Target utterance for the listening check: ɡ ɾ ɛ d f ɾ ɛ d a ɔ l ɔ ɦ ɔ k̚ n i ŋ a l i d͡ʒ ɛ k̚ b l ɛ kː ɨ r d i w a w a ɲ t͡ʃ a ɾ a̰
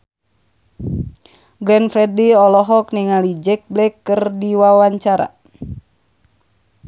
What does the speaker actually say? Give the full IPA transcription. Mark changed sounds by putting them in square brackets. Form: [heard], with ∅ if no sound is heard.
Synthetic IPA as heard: ɡ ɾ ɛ [n] f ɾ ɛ d [i] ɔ l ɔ ɦ ɔ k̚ n i ŋ a l i d͡ʒ ɛ k̚ b l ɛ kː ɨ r d i w a w a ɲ t͡ʃ a ɾ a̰

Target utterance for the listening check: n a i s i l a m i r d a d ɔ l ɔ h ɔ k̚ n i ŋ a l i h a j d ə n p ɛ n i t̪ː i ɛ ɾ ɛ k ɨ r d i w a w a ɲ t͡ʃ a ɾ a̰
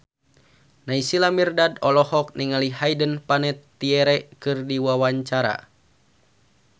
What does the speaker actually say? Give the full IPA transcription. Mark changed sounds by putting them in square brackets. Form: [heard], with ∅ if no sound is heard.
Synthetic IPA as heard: n a i s i l a m i r d a d ɔ l ɔ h ɔ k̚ n i ŋ a l i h a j d ə n p [a] n [ɛ] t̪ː i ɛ ɾ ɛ k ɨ r d i w a w a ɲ t͡ʃ a ɾ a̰

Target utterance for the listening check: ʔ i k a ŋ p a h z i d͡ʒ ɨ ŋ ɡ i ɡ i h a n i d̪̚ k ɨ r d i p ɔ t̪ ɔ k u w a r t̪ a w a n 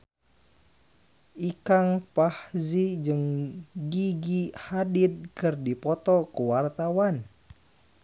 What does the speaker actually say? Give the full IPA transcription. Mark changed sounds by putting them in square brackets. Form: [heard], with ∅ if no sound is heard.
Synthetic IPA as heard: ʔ i k a ŋ p a h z i d͡ʒ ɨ ŋ ɡ i ɡ i h a [d] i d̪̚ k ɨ r d i p ɔ t̪ ɔ k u w a r t̪ a w a n

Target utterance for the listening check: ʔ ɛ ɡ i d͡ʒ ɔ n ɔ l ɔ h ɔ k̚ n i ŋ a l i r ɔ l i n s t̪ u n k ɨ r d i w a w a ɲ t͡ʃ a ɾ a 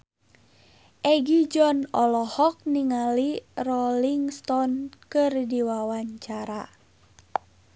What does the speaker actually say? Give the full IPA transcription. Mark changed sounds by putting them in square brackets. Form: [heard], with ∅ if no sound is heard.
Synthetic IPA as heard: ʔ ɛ ɡ i d͡ʒ ɔ n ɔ l ɔ h ɔ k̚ n i ŋ a l i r ɔ l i [ŋ] s t̪ [ɔ] n k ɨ r d i w a w a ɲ t͡ʃ a ɾ a

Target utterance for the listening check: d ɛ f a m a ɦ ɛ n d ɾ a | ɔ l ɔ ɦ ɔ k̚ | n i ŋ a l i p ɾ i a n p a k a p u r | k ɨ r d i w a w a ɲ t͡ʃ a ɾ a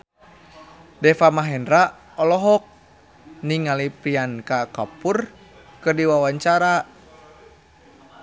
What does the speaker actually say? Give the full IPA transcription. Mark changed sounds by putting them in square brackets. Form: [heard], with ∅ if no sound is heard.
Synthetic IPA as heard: d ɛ f a m a ɦ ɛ n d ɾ a | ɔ l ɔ ɦ ɔ k̚ | n i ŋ a l i p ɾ i a n [k] a k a p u r | k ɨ r d i w a w a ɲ t͡ʃ a ɾ a

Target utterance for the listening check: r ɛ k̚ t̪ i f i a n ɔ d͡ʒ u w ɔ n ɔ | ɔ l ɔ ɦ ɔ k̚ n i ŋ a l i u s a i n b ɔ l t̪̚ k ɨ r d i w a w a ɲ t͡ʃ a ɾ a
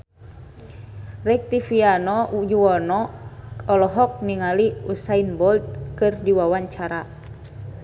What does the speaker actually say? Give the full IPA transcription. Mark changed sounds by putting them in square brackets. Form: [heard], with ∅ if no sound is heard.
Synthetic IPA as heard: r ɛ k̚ t̪ i f i a n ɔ d͡ʒ u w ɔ n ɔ | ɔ l ɔ ɦ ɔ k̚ n i ŋ a l i u s a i n b ɔ l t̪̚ k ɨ r d i w a w a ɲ t͡ʃ a ɾ a

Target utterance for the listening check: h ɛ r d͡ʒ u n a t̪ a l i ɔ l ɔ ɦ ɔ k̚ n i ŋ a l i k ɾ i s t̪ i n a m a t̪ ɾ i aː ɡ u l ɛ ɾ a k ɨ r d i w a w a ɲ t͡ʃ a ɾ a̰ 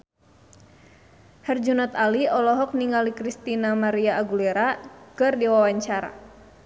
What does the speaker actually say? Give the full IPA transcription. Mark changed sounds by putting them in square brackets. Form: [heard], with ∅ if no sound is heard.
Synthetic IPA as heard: h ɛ r d͡ʒ u n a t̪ a l i ɔ l ɔ ɦ ɔ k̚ n i ŋ a l i k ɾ i s t̪ i n a m a [∅] ɾ i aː ɡ u l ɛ ɾ a k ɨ r d i w a w a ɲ t͡ʃ a ɾ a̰

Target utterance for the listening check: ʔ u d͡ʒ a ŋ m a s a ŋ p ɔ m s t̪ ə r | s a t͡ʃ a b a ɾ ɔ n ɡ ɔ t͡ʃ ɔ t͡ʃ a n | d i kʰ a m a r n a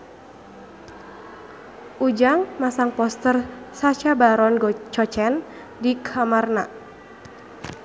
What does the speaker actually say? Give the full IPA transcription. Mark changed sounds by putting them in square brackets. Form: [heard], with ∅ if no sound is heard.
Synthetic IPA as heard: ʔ u d͡ʒ a ŋ m a s a ŋ p ɔ [∅] s t̪ ə r | s a t͡ʃ a b a ɾ ɔ n ɡ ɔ t͡ʃ ɔ t͡ʃ [ɛ] n | d i kʰ a m a r n a

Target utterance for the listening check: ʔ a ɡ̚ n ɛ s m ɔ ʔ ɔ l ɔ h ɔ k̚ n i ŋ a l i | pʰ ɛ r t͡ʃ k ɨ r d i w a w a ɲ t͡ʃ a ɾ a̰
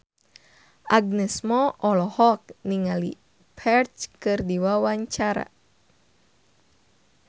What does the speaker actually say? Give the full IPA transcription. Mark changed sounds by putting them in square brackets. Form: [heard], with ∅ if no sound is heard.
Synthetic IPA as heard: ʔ a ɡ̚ n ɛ s m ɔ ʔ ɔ l ɔ h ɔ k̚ n i ŋ a l i | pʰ ɛ r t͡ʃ k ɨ r d i w a w a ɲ t͡ʃ a ɾ a̰

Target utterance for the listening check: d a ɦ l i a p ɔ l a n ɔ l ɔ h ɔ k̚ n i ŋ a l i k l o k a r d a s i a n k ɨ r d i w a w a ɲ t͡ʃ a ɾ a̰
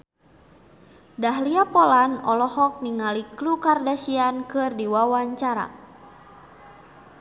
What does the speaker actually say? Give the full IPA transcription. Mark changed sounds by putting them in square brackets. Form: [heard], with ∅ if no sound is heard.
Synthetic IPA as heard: d a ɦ l i a p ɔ l a n ɔ l ɔ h ɔ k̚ n i ŋ a l i k l [u] k a r d a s i a n k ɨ r d i w a w a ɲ t͡ʃ a ɾ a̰

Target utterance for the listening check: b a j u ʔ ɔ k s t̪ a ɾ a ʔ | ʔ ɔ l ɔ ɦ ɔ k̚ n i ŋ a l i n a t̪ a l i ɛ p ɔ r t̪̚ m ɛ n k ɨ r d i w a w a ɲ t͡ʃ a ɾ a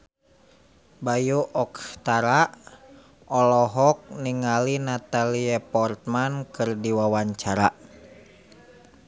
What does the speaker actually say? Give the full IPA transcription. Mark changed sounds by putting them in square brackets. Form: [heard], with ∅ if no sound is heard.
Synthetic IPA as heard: b a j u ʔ ɔ k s t̪ a ɾ a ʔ | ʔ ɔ l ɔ ɦ ɔ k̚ n i ŋ a l i n a t̪ a l i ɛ p ɔ r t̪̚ m [a] n k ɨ r d i w a w a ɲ t͡ʃ a ɾ a

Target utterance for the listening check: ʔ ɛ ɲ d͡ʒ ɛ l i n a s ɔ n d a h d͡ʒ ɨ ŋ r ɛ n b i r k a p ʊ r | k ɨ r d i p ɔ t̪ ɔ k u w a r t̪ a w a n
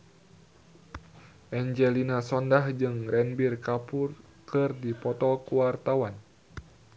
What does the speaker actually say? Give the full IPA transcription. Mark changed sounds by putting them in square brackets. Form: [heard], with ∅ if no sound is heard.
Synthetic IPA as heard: ʔ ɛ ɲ d͡ʒ ɛ l i n a s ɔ n d a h d͡ʒ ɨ ŋ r ɛ n b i r k a p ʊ r | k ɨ r d i p ɔ t̪ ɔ k u w a r t̪ a w a n

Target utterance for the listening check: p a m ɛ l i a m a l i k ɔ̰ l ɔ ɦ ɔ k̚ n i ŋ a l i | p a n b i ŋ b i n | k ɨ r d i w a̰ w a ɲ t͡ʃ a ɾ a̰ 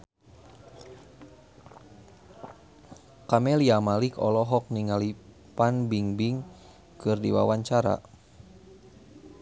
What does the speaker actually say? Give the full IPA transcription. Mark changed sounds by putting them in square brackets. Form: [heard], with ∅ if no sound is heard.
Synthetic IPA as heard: [k] a m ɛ l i a m a l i k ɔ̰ l ɔ ɦ ɔ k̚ n i ŋ a l i | p a n b i ŋ b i [ŋ] | k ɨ r d i w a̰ w a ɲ t͡ʃ a ɾ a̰

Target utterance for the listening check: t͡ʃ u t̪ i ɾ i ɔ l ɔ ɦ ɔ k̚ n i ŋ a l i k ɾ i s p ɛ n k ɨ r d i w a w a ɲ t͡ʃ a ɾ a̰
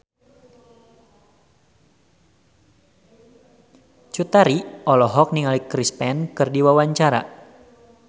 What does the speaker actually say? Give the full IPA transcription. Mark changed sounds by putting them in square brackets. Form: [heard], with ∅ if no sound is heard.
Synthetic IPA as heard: t͡ʃ u t̪ [a] ɾ i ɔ l ɔ ɦ ɔ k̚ n i ŋ a l i k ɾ i s p ɛ n k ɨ r d i w a w a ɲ t͡ʃ a ɾ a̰

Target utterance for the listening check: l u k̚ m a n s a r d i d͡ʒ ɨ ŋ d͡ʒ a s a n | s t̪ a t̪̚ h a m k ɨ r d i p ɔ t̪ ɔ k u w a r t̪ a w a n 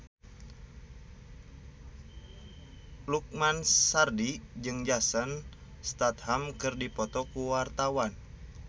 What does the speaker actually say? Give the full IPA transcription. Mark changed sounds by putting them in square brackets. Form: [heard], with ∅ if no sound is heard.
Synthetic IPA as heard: l u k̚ m a n s a r d i d͡ʒ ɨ ŋ d͡ʒ a s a n | s t̪ a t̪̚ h a m k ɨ r d i p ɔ t̪ ɔ k u w a r t̪ a w a n

